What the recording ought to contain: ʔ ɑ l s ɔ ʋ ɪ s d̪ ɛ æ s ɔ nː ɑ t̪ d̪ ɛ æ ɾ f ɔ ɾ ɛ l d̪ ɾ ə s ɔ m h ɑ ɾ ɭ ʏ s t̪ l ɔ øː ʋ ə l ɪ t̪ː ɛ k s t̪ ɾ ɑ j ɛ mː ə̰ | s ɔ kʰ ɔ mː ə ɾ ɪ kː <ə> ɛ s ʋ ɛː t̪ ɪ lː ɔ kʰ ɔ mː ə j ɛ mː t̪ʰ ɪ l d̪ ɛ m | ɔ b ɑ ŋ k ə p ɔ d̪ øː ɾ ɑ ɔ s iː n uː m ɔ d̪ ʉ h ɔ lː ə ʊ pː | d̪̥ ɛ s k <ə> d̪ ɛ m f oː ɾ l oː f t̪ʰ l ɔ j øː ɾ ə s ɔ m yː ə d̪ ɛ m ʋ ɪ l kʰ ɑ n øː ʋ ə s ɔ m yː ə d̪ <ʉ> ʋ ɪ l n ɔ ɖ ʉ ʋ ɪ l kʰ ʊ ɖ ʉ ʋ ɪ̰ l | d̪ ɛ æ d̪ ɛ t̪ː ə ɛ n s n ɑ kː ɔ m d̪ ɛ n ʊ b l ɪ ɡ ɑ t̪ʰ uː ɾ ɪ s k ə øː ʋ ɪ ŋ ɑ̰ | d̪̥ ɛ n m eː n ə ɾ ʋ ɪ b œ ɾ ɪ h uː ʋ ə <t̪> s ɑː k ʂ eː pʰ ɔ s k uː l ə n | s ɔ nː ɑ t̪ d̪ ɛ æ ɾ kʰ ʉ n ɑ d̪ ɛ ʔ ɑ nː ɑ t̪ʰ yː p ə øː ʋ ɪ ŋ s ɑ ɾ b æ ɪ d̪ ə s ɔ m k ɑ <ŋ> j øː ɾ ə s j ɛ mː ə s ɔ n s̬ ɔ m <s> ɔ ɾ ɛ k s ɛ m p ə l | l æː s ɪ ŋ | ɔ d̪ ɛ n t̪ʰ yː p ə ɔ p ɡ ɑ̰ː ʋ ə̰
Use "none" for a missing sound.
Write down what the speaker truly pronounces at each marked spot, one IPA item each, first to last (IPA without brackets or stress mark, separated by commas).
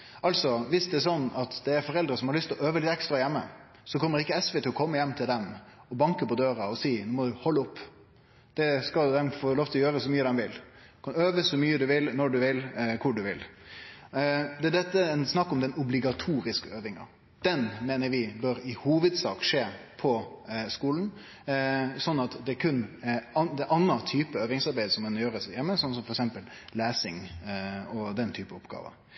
ə, ɑ, ʉ, d̪, n, f